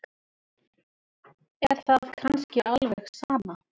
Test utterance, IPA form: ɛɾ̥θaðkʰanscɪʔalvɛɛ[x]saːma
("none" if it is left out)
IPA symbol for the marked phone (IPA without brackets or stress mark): x